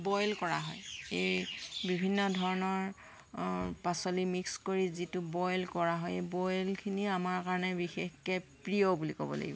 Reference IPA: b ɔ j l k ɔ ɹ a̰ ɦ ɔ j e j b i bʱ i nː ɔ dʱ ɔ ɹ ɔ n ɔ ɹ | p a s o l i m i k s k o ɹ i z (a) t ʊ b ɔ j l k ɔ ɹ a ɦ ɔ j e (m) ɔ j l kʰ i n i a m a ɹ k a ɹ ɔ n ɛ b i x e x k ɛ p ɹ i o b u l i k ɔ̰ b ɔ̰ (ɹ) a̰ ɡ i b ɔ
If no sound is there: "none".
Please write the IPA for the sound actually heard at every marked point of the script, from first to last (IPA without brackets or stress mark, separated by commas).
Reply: i, b, l